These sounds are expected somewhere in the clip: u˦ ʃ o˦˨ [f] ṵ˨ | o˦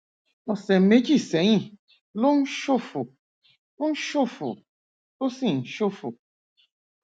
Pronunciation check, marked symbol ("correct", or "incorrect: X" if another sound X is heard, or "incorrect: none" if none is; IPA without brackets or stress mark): correct